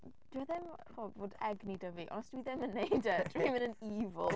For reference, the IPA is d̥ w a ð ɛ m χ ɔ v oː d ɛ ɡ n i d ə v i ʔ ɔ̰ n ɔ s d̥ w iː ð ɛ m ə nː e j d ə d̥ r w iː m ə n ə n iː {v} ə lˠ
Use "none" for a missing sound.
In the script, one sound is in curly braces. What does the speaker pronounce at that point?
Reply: v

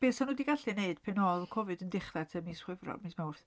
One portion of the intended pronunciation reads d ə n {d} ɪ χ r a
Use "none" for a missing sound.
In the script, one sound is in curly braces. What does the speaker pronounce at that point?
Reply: d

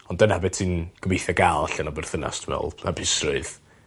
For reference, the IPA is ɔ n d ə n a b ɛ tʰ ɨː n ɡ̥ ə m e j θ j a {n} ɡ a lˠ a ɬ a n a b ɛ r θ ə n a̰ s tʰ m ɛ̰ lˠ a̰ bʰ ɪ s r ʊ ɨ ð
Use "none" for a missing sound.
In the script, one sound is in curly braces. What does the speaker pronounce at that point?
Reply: none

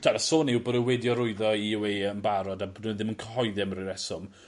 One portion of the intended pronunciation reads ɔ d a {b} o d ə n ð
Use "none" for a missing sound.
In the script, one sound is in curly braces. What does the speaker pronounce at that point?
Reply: b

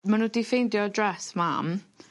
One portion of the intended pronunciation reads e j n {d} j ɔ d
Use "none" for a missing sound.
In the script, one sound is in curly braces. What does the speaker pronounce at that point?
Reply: d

